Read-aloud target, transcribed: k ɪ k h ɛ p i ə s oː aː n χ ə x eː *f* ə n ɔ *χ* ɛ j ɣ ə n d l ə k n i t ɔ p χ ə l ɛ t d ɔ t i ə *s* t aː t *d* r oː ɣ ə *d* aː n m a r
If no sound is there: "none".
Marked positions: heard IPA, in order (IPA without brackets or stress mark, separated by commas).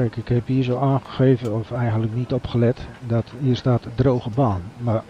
v, f, s, d, b